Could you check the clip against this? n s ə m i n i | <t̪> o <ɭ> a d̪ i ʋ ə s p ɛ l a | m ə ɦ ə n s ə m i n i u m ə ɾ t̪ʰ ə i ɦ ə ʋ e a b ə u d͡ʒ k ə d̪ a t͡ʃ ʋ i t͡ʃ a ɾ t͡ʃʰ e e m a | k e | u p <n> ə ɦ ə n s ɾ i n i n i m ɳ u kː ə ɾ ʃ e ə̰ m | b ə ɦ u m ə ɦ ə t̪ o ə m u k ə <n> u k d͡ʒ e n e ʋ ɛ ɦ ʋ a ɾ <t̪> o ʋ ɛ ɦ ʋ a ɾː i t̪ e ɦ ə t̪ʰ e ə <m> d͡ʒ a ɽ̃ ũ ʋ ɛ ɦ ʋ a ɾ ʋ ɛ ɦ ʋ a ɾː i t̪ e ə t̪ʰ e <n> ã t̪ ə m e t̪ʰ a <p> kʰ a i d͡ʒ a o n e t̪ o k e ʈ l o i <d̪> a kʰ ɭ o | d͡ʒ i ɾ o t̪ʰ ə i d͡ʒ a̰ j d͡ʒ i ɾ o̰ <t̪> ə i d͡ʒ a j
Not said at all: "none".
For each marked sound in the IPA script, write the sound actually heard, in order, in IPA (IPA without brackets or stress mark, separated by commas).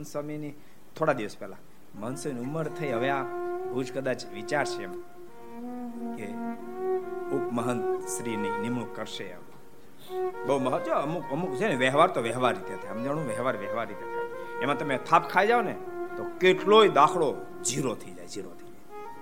t̪ʰ, ɽ, m, m, t̪, m, m, p, d̪, t̪ʰ